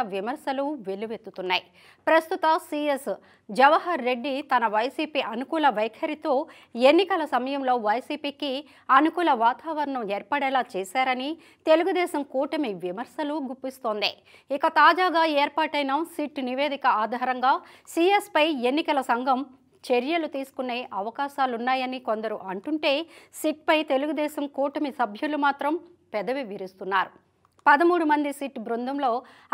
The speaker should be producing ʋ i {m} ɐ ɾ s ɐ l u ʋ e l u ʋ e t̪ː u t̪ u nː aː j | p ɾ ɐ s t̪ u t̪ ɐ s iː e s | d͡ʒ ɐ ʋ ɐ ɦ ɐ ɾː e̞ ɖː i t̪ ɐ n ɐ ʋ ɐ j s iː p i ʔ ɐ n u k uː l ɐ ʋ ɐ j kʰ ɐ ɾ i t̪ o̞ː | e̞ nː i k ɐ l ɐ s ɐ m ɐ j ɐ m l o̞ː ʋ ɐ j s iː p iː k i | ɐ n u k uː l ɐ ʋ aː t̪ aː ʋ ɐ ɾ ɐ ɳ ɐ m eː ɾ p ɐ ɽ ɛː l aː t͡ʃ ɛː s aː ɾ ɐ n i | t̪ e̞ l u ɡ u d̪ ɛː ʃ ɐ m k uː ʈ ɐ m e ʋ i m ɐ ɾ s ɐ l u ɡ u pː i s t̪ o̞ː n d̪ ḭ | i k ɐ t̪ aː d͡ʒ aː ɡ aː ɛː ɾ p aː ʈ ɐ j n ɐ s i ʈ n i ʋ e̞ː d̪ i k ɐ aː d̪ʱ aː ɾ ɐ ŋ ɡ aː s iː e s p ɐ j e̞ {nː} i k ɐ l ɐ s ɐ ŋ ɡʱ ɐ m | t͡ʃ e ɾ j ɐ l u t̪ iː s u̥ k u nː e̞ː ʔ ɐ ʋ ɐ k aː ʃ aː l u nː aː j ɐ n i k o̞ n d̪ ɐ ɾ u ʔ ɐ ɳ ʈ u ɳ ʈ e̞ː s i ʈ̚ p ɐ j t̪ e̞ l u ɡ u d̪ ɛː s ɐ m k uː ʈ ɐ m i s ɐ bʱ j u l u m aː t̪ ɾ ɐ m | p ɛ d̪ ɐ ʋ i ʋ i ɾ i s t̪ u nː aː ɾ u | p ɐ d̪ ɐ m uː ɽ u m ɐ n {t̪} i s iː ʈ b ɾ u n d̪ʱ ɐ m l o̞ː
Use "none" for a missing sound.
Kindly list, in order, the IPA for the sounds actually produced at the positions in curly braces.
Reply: m, nː, d̪

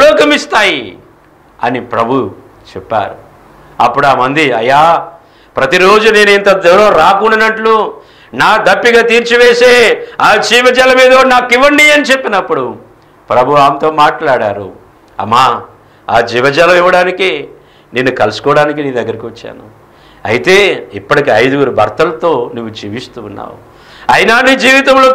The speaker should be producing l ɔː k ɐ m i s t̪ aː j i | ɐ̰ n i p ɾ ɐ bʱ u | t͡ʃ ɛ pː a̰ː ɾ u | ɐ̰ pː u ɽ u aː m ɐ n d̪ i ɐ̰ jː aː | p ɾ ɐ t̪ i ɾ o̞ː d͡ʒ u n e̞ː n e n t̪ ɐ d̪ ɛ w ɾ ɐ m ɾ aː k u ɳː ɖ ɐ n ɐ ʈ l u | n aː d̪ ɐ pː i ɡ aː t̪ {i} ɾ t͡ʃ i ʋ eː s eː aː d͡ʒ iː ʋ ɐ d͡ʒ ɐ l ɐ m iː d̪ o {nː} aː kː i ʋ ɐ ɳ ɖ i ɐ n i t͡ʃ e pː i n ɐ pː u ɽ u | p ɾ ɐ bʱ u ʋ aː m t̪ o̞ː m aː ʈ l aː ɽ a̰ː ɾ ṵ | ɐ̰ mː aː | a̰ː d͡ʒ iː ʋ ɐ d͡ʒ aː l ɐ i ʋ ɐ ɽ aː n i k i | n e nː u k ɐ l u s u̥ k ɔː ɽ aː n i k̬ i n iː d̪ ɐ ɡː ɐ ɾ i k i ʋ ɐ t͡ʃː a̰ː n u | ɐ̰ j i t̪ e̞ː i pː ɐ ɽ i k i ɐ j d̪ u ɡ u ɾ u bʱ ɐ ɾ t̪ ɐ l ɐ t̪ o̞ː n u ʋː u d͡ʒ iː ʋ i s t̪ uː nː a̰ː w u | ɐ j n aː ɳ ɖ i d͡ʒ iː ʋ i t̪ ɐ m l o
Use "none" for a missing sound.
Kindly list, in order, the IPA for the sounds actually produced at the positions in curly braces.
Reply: iː, n

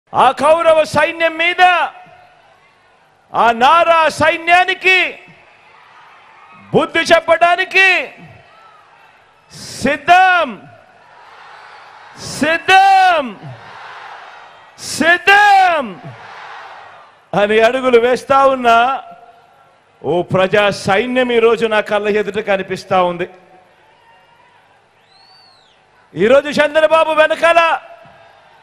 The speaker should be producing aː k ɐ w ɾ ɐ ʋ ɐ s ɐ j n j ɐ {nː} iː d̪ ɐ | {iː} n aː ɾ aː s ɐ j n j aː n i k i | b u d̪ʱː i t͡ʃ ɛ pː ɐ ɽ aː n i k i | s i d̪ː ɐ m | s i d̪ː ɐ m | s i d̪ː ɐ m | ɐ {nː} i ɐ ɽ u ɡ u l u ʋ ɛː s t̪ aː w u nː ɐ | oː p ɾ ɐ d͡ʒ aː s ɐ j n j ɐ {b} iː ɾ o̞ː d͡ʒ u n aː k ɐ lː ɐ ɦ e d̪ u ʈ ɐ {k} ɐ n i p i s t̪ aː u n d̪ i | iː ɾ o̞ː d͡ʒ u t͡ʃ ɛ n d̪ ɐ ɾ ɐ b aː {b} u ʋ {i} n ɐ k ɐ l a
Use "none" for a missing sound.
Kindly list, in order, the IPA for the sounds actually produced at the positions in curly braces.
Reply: mː, aː, n, m, k, b, ɛ

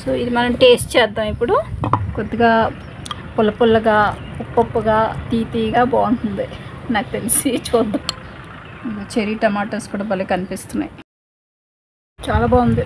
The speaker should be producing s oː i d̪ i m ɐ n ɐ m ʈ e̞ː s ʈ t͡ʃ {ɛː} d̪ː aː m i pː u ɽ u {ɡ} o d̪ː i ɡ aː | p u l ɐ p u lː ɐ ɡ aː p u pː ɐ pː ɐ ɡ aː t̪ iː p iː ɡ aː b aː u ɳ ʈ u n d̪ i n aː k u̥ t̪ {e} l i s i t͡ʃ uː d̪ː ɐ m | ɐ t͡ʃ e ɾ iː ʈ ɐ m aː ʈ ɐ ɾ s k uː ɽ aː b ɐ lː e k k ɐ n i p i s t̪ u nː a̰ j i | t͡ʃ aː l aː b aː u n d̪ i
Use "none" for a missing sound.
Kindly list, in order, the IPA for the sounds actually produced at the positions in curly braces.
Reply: ɛː, k, e

